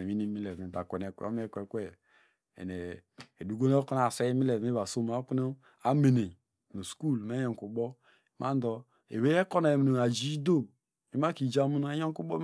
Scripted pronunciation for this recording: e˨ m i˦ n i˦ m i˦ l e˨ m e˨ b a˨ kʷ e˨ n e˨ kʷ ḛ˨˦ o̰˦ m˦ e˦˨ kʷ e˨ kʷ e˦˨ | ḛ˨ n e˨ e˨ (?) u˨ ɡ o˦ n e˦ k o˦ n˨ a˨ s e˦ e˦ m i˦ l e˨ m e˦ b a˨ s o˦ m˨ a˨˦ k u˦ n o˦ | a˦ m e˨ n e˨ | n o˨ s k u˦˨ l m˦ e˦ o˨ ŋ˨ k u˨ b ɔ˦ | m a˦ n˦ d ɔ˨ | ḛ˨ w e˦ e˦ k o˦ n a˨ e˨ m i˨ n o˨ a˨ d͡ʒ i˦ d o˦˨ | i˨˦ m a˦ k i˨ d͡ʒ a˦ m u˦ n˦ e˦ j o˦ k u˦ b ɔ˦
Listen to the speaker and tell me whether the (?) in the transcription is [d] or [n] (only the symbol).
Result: d